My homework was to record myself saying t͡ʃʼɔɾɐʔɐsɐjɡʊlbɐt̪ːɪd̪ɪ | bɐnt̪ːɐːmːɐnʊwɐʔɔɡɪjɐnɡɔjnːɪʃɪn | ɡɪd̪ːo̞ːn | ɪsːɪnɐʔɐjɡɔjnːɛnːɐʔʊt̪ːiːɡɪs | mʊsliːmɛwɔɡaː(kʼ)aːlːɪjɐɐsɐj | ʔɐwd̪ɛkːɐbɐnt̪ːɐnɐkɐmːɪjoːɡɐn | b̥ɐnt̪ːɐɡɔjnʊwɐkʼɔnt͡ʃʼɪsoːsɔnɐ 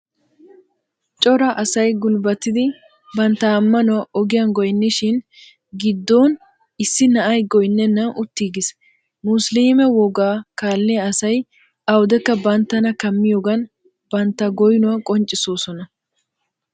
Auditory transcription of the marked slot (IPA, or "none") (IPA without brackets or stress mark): k